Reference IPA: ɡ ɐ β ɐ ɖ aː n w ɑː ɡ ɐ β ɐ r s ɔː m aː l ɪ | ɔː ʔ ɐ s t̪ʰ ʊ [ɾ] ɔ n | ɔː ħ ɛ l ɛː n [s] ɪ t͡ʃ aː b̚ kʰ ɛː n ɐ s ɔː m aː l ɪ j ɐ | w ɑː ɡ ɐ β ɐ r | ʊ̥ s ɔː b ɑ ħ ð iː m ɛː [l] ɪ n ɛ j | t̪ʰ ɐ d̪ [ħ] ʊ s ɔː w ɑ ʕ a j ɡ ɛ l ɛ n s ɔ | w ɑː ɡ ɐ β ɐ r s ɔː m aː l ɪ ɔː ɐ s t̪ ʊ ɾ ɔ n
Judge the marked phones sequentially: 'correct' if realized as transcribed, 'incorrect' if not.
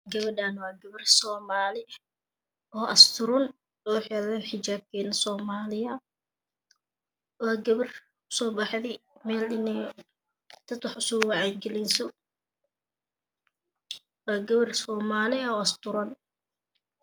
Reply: correct, incorrect, correct, correct

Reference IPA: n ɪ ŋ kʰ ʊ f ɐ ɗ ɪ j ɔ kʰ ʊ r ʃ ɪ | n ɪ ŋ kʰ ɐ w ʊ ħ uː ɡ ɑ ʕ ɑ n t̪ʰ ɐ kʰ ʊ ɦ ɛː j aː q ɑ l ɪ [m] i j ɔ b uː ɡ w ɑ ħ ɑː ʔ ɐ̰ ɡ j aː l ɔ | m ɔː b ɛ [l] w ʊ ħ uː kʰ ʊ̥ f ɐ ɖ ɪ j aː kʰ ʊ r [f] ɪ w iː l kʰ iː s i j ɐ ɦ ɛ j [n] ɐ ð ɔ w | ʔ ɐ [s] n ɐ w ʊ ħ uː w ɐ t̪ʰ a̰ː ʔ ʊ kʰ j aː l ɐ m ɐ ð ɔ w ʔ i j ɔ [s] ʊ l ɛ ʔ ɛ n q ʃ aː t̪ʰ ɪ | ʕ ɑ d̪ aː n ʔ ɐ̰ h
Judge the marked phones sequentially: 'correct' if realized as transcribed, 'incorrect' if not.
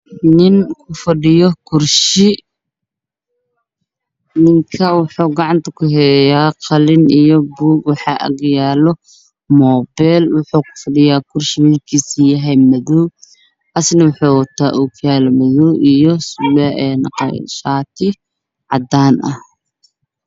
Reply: incorrect, correct, incorrect, incorrect, correct, correct

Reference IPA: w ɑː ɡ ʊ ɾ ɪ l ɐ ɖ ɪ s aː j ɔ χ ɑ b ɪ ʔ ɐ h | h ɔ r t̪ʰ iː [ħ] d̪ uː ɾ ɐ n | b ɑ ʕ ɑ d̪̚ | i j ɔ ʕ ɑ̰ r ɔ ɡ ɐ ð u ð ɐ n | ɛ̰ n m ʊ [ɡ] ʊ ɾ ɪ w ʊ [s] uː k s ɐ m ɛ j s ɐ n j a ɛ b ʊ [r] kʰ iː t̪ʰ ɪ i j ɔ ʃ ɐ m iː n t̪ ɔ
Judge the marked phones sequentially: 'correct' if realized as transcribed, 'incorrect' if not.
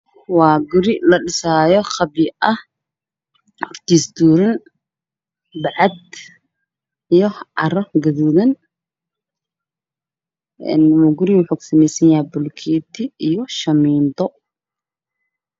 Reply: incorrect, correct, incorrect, incorrect

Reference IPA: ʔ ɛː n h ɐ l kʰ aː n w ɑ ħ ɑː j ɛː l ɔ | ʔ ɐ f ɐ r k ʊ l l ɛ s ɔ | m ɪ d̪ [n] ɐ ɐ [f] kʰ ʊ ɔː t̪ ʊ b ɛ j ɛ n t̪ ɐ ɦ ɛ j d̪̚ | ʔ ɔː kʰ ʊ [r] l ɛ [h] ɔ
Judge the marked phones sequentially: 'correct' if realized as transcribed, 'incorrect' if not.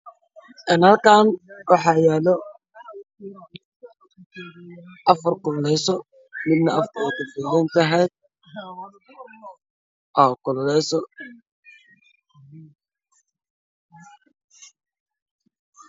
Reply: correct, correct, incorrect, incorrect

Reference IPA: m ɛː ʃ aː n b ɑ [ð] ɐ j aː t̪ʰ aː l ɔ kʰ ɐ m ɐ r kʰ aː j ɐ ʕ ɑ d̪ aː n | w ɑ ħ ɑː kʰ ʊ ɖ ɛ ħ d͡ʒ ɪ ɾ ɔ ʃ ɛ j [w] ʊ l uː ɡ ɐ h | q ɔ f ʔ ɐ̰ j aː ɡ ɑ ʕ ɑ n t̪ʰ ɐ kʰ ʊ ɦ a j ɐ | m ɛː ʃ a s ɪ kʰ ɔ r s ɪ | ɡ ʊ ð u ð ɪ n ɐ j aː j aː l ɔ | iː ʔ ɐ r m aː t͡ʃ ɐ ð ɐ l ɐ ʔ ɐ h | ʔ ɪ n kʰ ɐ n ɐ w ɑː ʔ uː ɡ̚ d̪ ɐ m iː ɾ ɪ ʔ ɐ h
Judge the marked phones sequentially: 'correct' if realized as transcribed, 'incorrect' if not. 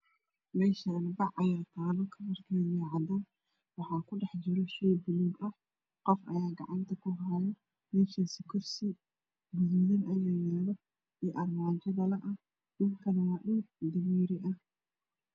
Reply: incorrect, incorrect

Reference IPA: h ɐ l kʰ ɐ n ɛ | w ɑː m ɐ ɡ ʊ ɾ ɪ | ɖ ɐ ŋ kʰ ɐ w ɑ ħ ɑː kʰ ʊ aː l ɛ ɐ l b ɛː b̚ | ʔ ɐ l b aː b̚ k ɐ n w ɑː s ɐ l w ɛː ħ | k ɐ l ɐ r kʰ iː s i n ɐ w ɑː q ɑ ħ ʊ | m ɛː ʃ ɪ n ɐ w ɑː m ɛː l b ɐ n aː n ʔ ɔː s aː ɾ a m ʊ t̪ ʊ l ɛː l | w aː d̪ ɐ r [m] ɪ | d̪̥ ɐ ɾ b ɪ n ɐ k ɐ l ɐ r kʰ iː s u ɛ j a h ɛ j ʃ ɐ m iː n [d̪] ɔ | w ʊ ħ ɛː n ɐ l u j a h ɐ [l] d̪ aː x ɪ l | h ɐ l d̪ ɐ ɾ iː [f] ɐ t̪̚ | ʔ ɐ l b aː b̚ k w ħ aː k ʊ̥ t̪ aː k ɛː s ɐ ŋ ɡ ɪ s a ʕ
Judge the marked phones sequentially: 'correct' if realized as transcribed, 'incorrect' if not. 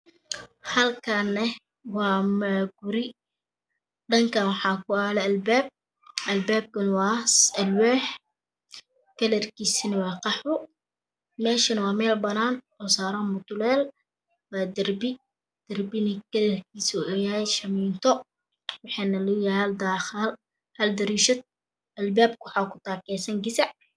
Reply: incorrect, incorrect, correct, incorrect

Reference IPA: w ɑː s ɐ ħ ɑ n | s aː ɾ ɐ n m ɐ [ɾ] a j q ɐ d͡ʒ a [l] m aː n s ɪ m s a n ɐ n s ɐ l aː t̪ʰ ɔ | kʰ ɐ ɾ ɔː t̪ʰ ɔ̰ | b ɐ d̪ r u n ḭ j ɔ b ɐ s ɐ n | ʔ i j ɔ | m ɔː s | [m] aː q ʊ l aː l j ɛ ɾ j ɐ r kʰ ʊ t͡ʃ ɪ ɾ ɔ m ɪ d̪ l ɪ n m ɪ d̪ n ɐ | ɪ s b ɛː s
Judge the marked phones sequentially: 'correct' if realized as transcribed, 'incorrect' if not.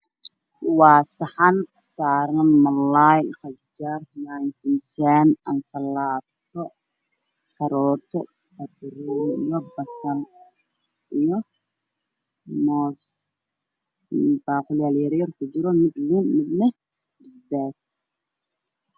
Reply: incorrect, incorrect, incorrect

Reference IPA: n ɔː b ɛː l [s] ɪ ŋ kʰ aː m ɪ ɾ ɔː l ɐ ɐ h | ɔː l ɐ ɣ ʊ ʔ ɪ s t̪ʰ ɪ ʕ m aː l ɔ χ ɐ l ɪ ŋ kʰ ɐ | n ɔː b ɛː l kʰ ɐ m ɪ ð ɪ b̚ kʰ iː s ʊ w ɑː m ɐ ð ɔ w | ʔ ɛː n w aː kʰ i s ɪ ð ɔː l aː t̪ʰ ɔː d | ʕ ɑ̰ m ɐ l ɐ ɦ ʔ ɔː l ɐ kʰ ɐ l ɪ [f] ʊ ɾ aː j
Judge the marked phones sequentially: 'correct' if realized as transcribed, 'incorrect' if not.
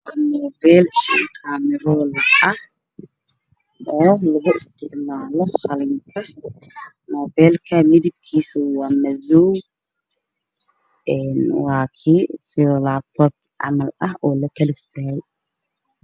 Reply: incorrect, correct

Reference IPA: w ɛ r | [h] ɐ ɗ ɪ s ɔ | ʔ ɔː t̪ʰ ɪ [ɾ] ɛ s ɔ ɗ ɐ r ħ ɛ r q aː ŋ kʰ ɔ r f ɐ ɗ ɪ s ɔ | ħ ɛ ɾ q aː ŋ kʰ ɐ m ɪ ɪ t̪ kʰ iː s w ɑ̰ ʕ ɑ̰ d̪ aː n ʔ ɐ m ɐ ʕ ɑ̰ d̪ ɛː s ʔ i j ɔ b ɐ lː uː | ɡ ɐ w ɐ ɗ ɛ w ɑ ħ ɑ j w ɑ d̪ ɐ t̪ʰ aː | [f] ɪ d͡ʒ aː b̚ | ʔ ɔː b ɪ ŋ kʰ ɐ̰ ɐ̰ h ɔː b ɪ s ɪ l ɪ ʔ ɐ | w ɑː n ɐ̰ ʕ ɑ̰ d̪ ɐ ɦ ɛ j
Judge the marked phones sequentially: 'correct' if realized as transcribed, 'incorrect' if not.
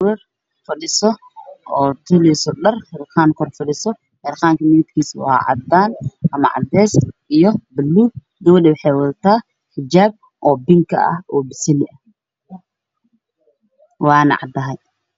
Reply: incorrect, incorrect, incorrect

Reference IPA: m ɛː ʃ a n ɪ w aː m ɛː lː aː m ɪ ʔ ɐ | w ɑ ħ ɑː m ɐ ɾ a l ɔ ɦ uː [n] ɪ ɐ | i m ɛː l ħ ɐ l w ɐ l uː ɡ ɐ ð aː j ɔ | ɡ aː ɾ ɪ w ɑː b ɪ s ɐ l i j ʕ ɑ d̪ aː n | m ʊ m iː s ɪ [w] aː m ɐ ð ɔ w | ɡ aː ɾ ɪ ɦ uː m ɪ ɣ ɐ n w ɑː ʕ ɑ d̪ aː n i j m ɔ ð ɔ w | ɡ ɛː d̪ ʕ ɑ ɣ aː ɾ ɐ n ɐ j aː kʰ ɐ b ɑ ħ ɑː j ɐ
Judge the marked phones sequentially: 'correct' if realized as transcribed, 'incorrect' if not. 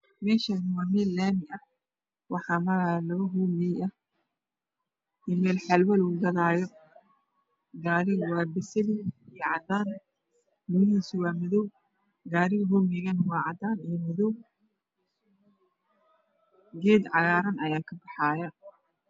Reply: incorrect, correct

